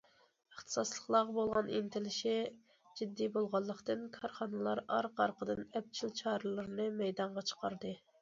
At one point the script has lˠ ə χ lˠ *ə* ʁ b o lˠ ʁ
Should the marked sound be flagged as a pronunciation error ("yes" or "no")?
yes